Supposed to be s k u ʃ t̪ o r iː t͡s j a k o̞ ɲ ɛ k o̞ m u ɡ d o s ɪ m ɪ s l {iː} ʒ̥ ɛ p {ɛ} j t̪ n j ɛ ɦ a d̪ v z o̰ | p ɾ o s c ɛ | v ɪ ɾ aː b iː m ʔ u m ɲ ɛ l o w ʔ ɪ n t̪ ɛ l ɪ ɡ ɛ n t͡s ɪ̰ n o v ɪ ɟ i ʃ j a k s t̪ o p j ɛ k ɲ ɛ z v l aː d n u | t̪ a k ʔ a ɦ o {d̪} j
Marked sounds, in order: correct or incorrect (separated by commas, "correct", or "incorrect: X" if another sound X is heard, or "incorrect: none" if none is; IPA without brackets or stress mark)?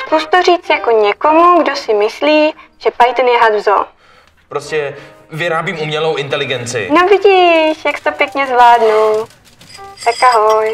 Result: correct, incorrect: a, incorrect: none